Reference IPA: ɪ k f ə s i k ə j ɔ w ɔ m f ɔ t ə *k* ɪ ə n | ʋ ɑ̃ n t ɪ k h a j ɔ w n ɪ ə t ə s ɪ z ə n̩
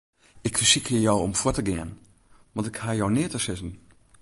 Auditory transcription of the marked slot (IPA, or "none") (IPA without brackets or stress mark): ɡ